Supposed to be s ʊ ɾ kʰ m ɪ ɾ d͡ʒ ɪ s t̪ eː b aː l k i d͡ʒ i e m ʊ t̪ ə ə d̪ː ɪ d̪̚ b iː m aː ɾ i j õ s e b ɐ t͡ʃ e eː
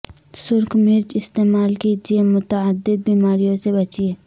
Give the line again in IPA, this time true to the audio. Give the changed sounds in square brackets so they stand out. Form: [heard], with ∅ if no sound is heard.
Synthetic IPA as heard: s ʊ ɾ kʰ m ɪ ɾ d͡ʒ ɪ s t̪ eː [m] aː l k i d͡ʒ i e m ʊ t̪ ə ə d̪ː ɪ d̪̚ b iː m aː ɾ i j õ s e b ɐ t͡ʃ [i] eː